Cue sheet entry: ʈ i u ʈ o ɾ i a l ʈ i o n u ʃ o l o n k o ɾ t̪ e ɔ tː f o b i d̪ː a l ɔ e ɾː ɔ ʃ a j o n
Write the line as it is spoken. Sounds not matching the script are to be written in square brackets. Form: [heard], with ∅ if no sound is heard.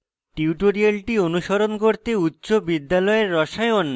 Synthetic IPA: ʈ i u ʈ o ɾ i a l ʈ i o n u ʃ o [ɾ] o n k o ɾ t̪ e [u] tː [ɕ] o b i d̪ː a l ɔ e ɾː ɔ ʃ a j o n

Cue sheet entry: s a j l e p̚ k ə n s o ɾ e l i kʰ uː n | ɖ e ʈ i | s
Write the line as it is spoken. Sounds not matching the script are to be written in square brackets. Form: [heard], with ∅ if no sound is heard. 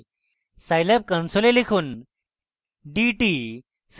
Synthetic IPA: s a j l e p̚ k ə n s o [l] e l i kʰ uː n | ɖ [i] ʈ i | s

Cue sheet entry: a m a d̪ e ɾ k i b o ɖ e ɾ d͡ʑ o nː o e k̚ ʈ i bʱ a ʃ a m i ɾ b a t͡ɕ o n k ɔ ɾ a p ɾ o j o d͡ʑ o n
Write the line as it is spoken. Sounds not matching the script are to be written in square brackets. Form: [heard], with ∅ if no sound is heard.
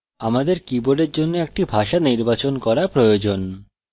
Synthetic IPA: a m a d̪ e ɾ k i b o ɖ e ɾ d͡ʑ o nː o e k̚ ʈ i bʱ a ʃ a [n] i ɾ b a t͡ɕ o n k ɔ ɾ a p ɾ o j o d͡ʑ o n

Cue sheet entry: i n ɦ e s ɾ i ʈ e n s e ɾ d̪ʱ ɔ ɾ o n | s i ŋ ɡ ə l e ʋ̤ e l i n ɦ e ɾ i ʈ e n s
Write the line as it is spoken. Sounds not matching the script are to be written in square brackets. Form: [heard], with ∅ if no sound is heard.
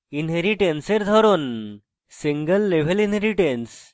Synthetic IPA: i n ɦ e [∅] ɾ i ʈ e n s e ɾ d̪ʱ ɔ ɾ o n | s i ŋ ɡ ə [lː] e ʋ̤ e l i n ɦ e ɾ i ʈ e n s

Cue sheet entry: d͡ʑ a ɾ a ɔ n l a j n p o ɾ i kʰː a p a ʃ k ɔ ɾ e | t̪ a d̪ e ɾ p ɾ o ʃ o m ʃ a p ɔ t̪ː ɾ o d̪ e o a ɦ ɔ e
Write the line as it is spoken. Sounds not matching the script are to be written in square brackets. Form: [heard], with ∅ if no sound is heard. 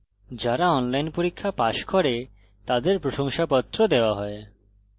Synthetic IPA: d͡ʑ a ɾ a ɔ n l a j n p o ɾ i kʰː a p a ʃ k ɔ ɾ e | t̪ a d̪ e ɾ p ɾ o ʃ o [ŋ] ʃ a p ɔ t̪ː ɾ o d̪ e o a ɦ ɔ e

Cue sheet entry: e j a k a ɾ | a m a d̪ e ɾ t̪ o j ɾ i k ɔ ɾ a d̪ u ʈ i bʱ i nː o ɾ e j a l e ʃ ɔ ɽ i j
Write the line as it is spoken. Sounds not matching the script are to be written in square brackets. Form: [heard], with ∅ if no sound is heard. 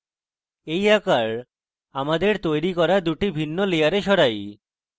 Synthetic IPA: e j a k a ɾ | a m a d̪ e ɾ t̪ o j ɾ i k ɔ ɾ a d̪ u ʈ i bʱ i nː o [l] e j a [ɾ] e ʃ ɔ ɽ [a] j

